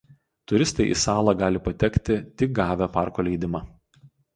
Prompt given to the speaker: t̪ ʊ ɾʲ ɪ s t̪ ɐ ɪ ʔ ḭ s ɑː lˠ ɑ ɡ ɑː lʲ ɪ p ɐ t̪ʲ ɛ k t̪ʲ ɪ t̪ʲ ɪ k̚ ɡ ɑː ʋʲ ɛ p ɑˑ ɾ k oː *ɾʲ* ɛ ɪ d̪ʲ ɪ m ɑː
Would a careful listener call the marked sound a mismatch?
yes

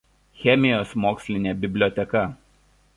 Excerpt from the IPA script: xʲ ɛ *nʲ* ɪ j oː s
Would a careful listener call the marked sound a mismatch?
yes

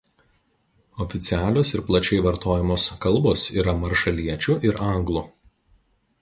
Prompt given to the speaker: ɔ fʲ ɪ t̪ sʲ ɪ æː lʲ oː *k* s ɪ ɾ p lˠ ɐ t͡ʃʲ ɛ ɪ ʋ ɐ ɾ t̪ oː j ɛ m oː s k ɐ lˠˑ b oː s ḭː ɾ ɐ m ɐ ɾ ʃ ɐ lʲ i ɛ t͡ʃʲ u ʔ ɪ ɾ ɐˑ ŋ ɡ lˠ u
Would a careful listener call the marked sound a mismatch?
yes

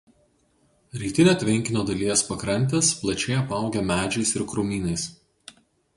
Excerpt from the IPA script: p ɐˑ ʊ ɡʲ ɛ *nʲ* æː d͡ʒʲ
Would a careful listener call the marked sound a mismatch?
yes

